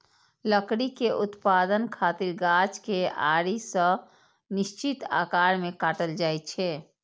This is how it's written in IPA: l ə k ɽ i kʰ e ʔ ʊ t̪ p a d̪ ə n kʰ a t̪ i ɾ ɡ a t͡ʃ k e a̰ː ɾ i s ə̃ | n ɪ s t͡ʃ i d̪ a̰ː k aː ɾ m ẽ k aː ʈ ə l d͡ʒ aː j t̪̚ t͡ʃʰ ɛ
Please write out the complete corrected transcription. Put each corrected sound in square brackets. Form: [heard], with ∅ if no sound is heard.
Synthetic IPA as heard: l ə k ɽ i [k] e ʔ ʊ t̪ p a d̪ ə n kʰ a t̪ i ɾ ɡ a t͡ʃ k e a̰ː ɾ i s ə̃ | n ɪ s t͡ʃ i [t̪] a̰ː k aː ɾ m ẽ k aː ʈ ə l d͡ʒ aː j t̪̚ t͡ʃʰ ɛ